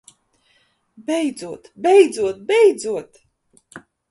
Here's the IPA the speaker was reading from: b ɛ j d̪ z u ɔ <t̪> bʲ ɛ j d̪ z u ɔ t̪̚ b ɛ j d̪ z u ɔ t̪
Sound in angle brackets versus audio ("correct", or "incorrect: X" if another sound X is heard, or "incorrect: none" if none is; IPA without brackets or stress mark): correct